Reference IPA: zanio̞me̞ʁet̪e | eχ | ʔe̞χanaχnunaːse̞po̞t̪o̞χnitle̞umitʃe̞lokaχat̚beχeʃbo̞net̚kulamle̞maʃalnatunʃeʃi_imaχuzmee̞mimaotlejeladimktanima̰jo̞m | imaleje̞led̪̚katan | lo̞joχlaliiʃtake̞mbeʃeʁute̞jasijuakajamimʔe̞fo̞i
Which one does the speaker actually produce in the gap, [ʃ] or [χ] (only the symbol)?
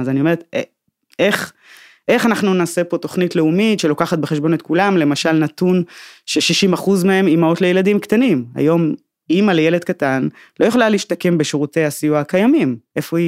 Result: ʃ